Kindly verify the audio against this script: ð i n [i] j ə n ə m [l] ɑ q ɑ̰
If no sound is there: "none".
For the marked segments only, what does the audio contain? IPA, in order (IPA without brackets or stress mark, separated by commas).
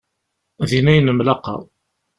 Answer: æ, l